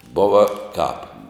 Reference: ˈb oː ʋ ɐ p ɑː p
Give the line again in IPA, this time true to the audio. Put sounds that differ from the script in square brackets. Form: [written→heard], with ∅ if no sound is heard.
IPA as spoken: ˈb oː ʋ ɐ [p→k] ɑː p